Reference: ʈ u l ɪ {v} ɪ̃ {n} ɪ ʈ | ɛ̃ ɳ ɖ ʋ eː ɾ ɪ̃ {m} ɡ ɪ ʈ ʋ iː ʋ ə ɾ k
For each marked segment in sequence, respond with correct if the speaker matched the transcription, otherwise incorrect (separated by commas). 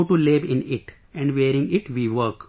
incorrect, correct, incorrect